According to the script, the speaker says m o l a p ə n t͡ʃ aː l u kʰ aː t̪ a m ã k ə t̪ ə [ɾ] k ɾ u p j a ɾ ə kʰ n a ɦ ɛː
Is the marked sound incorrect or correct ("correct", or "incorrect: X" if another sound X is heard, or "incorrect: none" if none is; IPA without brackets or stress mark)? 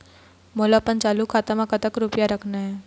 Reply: incorrect: none